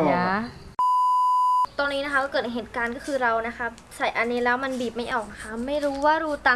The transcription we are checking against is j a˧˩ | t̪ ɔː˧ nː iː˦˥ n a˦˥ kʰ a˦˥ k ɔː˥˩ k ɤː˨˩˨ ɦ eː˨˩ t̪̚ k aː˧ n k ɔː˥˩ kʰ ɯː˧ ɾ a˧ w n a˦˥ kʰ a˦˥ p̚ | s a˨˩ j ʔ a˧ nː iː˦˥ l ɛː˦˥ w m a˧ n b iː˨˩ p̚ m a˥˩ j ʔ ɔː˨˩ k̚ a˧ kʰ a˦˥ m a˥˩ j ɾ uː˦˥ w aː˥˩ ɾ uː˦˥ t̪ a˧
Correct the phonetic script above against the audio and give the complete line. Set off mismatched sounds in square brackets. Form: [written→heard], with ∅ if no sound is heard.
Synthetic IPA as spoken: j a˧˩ | t̪ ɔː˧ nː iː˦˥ n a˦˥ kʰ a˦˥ k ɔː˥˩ k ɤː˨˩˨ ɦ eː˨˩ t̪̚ k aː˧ n k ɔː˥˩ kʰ ɯː˧ ɾ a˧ w n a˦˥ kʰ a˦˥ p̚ | s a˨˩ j ʔ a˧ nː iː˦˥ l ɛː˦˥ w m a˧ n b iː˨˩ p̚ m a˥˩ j ʔ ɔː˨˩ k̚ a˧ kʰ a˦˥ m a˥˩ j ɾ uː˦˥ w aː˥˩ ɾ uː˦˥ t̪ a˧